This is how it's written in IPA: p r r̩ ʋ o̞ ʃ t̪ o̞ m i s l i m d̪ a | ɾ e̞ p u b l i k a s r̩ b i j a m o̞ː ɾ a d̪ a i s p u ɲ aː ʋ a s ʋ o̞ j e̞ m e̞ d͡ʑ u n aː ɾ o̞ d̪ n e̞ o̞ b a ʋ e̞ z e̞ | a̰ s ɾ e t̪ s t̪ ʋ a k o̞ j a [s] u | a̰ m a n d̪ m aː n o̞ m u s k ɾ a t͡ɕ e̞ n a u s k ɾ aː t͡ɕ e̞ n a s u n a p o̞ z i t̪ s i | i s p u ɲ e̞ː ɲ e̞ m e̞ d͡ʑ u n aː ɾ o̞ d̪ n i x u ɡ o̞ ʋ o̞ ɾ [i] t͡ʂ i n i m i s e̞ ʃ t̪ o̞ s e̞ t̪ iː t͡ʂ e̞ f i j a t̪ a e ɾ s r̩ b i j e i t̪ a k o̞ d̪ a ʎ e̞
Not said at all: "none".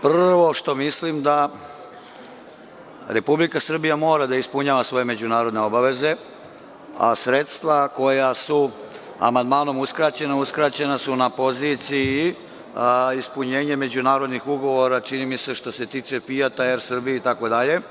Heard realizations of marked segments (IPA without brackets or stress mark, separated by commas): s, a